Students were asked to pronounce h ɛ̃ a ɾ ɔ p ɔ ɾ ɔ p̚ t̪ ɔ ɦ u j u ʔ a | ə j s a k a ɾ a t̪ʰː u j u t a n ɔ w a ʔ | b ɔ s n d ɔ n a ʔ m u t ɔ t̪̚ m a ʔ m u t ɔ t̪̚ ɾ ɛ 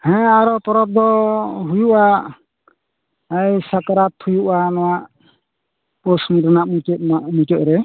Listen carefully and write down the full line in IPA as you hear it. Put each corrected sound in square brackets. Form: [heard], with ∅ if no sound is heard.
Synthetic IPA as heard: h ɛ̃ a ɾ ɔ p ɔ ɾ ɔ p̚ [d̪] ɔ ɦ u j u ʔ a | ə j s a k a ɾ a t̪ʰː u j u [ʔ] a n ɔ w a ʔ | [p] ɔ s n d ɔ n a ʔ m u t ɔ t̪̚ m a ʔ m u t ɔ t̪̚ ɾ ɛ